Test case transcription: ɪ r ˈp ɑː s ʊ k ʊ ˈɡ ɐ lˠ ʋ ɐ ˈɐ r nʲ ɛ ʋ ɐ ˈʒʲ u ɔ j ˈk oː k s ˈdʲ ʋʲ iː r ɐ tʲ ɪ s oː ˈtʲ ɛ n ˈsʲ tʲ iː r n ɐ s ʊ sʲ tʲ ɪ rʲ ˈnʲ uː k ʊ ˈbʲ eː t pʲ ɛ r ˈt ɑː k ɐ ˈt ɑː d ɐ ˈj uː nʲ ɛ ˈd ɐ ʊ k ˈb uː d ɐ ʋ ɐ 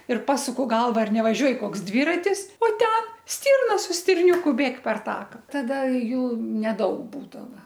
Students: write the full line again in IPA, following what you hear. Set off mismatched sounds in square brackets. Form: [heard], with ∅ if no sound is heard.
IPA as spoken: ɪ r ˈp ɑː s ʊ k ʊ ˈɡ ɐ lˠ ʋ ɐ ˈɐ r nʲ ɛ ʋ ɐ ˈʒʲ u ɔ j ˈk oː k s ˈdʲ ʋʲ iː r ɐ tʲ ɪ s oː ˈtʲ ɛ n ˈsʲ tʲ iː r n ɐ s ʊ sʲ tʲ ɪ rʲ ˈnʲ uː k ʊ ˈbʲ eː [k] pʲ ɛ r ˈt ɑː k ɐ ˈt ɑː d ɐ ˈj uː nʲ ɛ ˈd ɐ ʊ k ˈb uː d ɐ ʋ ɐ